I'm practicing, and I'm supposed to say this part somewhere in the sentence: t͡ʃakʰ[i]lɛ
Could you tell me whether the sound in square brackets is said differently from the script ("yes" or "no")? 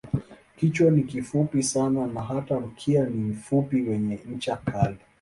yes